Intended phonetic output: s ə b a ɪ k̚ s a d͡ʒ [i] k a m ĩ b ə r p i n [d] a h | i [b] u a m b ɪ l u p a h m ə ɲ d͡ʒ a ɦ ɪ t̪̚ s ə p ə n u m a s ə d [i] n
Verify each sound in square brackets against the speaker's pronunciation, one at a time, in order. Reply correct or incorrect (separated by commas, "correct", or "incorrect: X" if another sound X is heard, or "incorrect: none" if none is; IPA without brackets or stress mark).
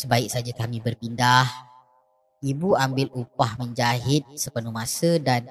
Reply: incorrect: a, correct, correct, incorrect: a